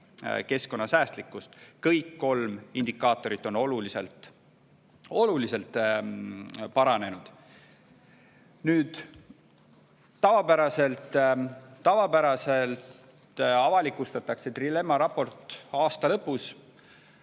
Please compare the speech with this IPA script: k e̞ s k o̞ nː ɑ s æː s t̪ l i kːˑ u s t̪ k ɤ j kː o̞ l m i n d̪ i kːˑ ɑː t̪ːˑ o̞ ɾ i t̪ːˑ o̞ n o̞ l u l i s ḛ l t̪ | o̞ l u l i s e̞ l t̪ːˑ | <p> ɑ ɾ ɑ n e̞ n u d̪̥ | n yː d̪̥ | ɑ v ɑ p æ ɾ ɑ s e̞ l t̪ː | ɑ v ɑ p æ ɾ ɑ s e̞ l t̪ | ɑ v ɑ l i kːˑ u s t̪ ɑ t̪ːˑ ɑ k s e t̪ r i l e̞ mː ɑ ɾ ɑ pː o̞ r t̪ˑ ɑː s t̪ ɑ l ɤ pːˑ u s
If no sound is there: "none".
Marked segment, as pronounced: p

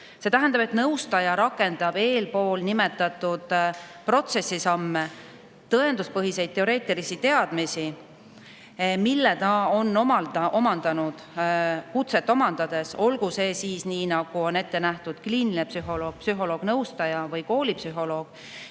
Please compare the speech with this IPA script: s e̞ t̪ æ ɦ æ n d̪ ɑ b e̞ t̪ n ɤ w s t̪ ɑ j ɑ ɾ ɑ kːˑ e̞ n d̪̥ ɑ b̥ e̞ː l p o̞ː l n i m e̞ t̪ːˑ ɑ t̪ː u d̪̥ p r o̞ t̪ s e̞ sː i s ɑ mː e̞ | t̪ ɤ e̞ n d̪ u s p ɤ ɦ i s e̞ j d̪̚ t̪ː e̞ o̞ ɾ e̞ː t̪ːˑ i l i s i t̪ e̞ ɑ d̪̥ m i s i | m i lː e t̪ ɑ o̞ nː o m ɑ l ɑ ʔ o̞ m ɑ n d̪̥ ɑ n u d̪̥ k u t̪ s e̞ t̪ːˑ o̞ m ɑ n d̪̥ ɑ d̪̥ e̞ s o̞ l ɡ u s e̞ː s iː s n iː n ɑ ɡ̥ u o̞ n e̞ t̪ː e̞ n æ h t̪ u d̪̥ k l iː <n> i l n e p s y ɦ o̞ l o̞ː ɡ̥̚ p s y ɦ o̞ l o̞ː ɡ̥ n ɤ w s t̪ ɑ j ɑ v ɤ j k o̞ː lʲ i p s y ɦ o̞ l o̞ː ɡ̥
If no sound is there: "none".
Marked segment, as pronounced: n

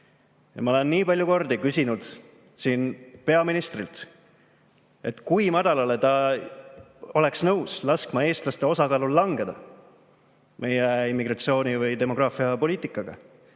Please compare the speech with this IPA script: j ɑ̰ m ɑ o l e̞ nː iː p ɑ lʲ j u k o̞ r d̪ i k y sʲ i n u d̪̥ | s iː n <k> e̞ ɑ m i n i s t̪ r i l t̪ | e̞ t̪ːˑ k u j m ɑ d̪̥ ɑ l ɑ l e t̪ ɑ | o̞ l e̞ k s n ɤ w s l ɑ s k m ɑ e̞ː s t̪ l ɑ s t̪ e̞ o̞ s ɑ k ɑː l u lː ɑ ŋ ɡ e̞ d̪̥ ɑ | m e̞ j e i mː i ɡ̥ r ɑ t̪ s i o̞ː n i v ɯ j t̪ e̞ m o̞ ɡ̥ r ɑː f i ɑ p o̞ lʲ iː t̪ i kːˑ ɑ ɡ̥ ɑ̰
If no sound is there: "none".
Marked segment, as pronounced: p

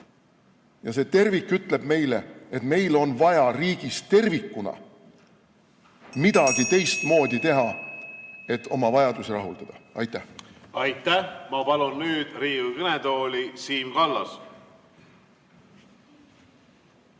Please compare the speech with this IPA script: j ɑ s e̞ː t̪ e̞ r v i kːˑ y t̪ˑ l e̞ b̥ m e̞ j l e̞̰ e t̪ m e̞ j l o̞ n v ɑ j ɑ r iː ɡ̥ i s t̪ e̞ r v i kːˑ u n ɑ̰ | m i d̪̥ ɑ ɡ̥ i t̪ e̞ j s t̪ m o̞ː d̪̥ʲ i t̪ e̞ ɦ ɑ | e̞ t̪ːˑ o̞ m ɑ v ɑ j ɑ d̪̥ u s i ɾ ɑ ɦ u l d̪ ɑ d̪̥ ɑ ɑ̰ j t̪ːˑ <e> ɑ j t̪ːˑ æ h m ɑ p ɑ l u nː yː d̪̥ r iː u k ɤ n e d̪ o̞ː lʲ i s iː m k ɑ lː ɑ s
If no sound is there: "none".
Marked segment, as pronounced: æ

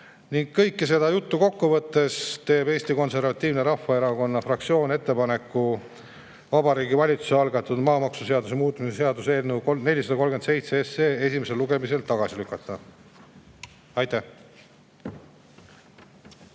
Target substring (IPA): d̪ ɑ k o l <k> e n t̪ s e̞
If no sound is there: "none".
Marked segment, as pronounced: ɡ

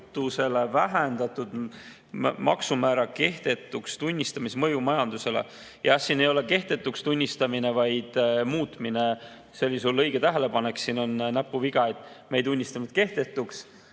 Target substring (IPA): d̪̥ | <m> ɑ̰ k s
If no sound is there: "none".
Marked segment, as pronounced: m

